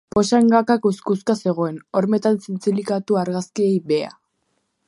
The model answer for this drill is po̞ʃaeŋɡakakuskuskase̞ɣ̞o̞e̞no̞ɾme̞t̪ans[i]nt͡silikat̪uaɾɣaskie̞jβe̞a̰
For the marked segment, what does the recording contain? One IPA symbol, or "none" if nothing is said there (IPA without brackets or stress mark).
i